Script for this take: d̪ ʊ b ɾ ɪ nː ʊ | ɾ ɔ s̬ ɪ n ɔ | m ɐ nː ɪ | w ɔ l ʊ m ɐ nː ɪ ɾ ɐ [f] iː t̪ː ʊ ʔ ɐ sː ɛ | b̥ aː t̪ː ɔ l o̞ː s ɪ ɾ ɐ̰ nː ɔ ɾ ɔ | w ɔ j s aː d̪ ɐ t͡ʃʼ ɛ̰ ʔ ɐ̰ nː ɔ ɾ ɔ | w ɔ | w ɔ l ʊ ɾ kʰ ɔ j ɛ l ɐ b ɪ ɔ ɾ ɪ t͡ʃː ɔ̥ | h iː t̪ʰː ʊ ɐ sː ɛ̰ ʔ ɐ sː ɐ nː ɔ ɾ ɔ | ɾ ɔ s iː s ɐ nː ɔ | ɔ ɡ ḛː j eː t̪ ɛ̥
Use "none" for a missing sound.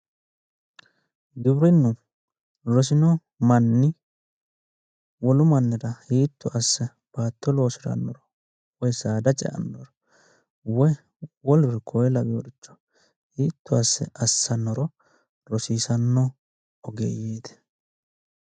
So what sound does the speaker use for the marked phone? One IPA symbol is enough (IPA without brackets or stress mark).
h